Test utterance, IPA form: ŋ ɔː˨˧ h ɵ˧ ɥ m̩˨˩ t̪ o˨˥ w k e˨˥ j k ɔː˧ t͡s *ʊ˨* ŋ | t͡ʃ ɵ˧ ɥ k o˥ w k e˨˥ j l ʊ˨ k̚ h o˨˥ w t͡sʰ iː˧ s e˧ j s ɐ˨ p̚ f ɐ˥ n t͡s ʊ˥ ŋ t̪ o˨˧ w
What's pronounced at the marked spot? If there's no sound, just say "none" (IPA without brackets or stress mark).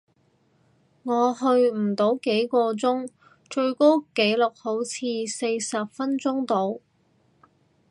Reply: ʊ˥